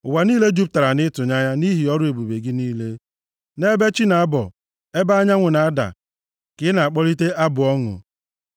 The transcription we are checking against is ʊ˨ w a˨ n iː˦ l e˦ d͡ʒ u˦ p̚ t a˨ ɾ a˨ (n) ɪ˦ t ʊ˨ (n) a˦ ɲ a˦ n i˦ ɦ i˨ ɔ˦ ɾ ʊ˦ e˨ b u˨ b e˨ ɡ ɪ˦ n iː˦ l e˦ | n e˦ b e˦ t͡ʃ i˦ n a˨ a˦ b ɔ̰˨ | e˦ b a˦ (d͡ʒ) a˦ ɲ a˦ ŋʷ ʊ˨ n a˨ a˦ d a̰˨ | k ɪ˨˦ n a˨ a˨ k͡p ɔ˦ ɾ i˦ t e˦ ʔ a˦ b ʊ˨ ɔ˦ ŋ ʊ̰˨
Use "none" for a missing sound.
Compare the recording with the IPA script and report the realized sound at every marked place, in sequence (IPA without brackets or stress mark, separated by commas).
n, ɲ, none